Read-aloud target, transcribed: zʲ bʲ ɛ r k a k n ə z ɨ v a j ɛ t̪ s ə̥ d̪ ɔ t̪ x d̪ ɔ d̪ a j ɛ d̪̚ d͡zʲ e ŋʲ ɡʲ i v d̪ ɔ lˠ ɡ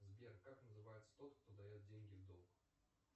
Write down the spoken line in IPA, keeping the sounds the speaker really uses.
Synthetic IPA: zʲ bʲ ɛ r k a k n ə z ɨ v a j ɛ t̪ s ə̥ t̪ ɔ t̪ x t̪ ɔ d̪ a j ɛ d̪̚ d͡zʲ e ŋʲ ɡʲ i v d̪ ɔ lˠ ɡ